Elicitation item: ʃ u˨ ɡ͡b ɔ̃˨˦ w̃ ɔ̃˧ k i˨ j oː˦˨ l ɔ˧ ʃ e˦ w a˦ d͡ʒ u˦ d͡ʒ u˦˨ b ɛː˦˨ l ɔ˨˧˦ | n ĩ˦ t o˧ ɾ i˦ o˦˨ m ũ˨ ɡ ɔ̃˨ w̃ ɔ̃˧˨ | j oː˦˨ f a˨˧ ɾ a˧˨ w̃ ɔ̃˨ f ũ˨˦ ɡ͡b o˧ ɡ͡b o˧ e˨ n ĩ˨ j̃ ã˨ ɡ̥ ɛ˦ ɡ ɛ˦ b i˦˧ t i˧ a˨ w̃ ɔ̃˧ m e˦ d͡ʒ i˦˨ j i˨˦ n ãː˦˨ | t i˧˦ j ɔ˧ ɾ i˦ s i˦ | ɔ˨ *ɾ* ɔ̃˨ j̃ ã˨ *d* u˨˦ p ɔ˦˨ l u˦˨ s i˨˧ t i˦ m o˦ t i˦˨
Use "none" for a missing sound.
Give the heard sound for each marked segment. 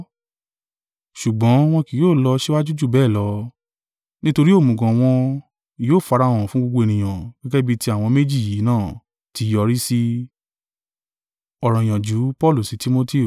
ɾ, d͡ʒ

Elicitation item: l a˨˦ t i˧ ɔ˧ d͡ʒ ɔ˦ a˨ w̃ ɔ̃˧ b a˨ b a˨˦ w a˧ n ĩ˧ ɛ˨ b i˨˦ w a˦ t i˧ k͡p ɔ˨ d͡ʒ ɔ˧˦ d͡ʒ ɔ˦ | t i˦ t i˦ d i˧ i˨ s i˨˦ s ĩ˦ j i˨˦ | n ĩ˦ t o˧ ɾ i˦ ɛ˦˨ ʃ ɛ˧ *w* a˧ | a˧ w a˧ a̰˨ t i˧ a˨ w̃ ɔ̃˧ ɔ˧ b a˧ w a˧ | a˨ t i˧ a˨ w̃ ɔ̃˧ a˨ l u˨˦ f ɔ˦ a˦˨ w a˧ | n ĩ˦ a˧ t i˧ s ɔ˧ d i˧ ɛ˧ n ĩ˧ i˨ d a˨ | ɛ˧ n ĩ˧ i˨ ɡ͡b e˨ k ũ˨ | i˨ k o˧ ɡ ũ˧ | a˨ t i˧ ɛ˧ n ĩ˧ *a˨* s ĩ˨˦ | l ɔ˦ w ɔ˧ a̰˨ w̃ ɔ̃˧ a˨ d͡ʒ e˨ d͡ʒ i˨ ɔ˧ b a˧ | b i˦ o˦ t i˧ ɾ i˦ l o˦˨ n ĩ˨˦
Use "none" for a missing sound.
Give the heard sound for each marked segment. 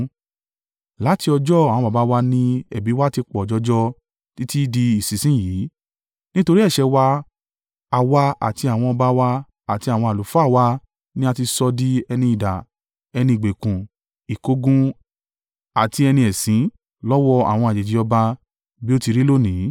w, ɛ˨

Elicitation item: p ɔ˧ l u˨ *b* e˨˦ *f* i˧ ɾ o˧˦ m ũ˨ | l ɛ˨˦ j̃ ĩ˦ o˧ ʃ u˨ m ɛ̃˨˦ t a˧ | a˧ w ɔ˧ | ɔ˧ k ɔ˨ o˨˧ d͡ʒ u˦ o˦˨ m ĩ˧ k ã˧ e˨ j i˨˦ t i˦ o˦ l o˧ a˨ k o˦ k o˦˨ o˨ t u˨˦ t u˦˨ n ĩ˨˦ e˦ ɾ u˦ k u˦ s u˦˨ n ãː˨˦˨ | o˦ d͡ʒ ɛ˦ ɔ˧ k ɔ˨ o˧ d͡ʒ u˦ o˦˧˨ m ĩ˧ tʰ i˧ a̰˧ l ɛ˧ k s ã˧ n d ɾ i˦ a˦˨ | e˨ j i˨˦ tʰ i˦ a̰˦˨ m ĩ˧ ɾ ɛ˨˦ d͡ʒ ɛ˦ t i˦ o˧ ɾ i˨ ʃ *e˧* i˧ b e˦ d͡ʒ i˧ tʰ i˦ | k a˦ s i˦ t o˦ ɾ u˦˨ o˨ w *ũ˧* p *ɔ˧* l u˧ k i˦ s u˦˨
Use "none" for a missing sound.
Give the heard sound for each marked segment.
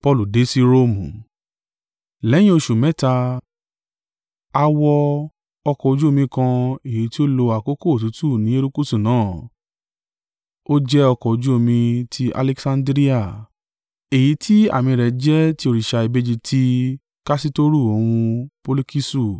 d, s, a˧, ũ˧, o˧

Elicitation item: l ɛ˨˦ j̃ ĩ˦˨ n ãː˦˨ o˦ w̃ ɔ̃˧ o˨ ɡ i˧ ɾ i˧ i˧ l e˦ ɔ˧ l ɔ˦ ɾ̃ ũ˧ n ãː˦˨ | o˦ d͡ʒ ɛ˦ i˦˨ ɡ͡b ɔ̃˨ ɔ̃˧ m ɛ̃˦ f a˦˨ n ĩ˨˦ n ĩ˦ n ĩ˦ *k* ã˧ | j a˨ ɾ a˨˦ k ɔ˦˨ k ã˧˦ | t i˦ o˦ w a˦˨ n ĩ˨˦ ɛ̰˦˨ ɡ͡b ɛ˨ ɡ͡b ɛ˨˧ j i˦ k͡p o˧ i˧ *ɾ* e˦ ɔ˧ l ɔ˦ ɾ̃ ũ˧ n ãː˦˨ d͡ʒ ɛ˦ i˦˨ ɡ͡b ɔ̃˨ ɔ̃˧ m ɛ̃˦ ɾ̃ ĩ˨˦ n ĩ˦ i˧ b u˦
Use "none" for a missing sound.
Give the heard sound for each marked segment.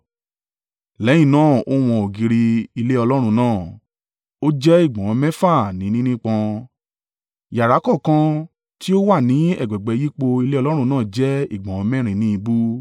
k͡p, l

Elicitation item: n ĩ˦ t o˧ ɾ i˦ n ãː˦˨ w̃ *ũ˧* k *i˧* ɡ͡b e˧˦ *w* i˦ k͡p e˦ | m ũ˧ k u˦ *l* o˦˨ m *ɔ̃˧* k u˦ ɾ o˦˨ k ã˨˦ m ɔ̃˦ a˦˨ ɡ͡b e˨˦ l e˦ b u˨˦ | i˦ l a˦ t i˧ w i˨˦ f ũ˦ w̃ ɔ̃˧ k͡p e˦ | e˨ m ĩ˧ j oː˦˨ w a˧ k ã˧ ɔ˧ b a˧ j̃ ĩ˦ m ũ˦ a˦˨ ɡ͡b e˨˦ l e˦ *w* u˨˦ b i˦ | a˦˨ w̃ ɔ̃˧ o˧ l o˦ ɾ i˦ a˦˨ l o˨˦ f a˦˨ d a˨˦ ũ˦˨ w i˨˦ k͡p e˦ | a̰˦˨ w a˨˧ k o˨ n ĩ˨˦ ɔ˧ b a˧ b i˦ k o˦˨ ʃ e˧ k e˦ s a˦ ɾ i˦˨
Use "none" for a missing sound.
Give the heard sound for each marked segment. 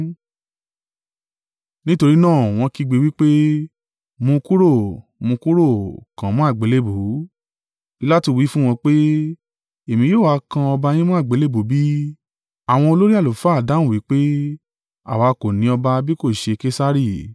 ɔ̃˧, i˧, w, ɾ, ũ˧, b

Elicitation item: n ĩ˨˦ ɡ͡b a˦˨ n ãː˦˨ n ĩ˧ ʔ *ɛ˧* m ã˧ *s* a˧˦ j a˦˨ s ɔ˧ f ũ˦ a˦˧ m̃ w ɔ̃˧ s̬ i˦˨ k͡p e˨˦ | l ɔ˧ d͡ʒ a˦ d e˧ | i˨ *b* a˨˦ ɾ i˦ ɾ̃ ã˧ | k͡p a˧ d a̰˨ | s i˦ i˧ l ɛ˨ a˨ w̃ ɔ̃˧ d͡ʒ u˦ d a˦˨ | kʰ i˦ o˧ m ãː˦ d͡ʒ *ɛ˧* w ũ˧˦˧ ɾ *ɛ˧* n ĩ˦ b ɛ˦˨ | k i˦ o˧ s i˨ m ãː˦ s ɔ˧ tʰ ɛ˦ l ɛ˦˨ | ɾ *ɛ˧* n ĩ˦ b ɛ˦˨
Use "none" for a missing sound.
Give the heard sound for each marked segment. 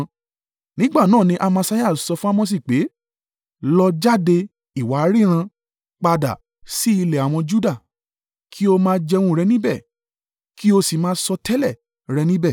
a˧, s, w, ɛ˧, ɛ˧, ɛ˧

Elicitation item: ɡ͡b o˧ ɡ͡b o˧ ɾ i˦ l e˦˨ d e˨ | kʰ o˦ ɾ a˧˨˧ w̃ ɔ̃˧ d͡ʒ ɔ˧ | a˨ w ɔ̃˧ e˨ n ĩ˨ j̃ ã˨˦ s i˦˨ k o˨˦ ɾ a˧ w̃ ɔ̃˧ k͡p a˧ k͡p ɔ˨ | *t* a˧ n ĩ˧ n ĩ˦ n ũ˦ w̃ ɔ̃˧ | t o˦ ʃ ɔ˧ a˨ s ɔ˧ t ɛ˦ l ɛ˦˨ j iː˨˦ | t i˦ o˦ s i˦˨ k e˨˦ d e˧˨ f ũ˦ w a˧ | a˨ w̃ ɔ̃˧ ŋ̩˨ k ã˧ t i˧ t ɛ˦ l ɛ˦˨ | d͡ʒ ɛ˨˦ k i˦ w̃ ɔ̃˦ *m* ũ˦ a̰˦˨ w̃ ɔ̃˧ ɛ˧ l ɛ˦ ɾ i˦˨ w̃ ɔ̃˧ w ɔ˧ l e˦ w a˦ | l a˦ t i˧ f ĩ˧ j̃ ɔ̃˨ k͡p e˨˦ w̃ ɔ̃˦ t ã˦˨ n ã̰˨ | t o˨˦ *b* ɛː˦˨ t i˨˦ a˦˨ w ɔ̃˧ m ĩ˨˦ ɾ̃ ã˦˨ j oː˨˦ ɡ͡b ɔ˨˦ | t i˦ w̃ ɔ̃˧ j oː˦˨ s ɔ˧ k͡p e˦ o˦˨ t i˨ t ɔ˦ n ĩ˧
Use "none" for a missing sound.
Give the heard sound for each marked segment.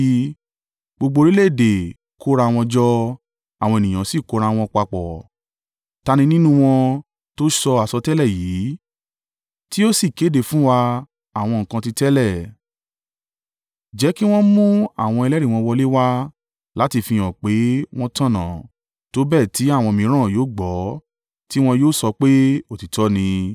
t, m, b

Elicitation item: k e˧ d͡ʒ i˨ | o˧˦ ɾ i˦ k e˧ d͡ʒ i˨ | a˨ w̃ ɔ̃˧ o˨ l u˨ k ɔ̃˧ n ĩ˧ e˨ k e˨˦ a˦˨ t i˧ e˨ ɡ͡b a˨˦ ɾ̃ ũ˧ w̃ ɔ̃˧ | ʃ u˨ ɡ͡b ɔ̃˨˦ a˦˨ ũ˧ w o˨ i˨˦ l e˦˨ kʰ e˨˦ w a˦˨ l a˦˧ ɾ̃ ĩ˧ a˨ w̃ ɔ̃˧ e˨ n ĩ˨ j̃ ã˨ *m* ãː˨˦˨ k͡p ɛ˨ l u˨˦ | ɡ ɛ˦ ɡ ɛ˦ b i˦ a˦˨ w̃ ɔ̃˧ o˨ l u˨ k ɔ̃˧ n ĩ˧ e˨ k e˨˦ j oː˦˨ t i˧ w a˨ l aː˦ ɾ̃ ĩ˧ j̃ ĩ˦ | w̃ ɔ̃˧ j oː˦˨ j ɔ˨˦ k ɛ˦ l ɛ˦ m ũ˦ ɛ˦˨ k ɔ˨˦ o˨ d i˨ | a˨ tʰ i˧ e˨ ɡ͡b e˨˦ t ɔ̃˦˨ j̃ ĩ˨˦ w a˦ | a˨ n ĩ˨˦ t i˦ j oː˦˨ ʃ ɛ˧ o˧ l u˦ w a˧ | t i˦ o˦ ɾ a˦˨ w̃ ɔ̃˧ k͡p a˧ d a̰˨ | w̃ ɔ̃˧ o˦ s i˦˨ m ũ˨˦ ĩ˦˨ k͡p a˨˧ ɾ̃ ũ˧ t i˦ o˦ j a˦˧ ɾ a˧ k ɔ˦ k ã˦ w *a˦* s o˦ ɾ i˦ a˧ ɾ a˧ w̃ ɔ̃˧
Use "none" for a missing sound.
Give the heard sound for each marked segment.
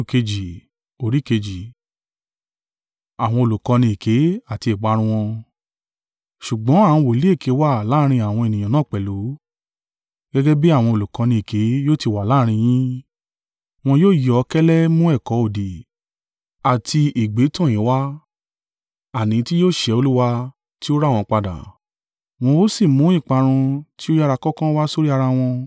n, a˦

